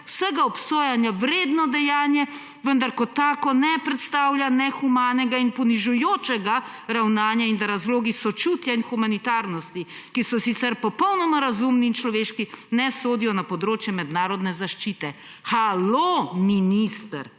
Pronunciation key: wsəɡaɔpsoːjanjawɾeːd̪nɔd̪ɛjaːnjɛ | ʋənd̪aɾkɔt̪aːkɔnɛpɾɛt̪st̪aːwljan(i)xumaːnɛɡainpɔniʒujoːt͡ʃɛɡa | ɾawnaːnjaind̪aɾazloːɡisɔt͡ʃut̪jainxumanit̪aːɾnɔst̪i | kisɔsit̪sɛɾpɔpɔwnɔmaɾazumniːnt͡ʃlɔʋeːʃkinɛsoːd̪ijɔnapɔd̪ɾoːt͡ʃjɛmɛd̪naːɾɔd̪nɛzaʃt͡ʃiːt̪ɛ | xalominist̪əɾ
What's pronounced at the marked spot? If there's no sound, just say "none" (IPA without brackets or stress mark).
ɛ